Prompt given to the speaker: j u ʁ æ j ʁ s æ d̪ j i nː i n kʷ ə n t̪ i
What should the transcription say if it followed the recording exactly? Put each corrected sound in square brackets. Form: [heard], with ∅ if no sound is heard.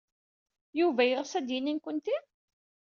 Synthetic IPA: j u [v] æ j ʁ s æ d̪ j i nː i n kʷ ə n t̪ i